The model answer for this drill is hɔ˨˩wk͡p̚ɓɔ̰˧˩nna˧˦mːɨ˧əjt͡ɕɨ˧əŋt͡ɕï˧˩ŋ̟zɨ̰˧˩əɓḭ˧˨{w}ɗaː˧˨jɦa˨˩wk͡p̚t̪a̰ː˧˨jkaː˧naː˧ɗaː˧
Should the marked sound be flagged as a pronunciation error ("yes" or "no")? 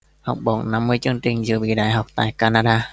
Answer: yes